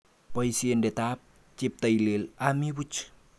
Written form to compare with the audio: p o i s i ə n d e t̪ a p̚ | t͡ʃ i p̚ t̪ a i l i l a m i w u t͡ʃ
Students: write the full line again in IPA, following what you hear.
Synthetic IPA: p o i s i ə n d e t̪ a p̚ | t͡ʃ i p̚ t̪ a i l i l a m i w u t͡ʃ

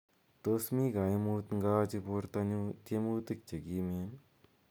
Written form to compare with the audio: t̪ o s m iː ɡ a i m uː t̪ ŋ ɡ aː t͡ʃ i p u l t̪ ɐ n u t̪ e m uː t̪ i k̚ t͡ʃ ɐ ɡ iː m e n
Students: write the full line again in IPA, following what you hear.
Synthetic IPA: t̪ o s m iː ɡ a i m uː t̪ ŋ ɡ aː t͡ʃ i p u ɾ t̪ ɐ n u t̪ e m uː t̪ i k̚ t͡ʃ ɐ ɡ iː m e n

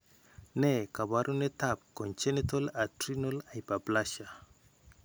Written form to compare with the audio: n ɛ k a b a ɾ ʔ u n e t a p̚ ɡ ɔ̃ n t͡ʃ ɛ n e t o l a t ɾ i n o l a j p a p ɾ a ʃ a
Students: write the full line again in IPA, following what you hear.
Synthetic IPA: n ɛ k a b a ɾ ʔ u n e t a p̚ k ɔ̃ n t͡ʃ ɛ n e t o l a t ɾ i n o l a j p a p l a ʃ a

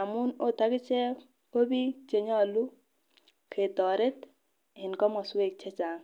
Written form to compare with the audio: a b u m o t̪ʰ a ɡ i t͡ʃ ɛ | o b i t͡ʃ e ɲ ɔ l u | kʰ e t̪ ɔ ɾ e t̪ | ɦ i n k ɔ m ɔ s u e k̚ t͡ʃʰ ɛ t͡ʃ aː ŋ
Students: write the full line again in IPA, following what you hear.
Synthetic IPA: a m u n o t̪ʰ a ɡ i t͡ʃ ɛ | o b i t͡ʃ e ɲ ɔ l u | kʰ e t̪ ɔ ɾ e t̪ | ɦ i n k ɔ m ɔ s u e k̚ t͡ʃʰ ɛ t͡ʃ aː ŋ

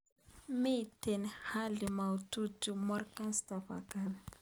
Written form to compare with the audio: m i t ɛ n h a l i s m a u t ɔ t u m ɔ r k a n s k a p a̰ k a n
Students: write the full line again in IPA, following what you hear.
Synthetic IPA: m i t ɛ n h a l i m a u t u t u m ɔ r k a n s t a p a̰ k a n

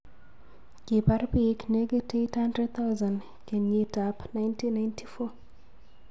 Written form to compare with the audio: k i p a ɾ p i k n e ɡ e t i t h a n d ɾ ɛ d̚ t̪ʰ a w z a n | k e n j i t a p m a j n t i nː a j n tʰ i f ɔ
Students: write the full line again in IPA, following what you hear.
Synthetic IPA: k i p a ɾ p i k n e ɡ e t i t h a n d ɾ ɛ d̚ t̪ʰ a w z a n | k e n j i t a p n a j n t i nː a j n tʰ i f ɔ

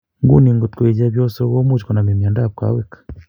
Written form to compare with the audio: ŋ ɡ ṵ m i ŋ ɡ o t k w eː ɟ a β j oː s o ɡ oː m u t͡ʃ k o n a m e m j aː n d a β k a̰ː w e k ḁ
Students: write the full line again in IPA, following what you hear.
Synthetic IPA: ŋ ɡ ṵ n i ŋ ɡ o t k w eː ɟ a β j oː s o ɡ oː m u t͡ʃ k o n a m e m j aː n d a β k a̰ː w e k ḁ

